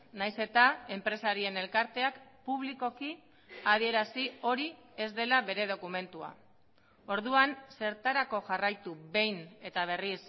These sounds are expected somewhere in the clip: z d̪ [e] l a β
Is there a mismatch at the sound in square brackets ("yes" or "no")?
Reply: no